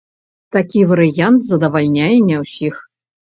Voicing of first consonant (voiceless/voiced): voiceless